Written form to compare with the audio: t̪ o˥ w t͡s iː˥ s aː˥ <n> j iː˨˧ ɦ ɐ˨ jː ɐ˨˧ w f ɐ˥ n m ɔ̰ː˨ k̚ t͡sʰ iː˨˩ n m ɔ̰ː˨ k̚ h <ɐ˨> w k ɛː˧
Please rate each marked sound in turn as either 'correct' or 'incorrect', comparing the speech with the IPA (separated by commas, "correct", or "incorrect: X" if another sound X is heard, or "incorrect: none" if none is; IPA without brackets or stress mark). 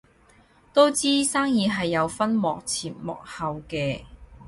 incorrect: ŋ, correct